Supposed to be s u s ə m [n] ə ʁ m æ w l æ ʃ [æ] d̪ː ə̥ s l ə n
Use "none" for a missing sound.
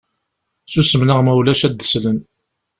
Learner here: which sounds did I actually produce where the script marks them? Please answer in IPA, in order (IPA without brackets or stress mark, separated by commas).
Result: n, æ